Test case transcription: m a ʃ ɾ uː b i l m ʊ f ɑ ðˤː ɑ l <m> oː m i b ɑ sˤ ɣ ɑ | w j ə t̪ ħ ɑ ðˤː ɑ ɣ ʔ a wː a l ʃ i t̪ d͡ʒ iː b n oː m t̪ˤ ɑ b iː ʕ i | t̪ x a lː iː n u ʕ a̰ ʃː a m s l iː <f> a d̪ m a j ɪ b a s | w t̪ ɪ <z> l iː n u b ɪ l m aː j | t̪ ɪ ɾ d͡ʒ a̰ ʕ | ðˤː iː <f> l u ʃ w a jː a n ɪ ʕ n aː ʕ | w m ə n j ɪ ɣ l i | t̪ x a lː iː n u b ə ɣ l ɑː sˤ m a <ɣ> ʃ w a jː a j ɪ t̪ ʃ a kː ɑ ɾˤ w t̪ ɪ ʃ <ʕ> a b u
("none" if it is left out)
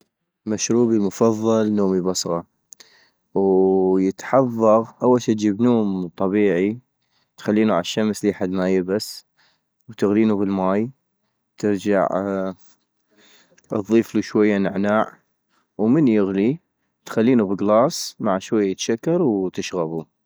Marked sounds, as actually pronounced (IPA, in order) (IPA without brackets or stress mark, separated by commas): n, ħ, ɣ, f, ʕ, ɣ